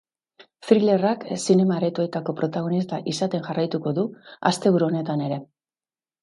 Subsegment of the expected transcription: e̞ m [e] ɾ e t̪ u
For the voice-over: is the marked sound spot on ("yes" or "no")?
no